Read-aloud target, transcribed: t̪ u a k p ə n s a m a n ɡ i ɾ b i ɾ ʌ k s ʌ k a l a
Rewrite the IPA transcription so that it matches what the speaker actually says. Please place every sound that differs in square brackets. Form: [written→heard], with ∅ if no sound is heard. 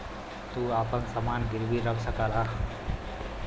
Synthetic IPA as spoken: t̪ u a [k→∅] p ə n s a m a n ɡ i ɾ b i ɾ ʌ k s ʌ k a l a